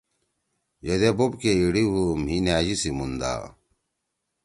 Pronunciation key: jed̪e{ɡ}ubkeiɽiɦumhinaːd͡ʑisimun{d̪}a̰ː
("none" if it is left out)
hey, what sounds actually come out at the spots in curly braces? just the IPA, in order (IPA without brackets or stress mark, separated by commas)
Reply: b, d̪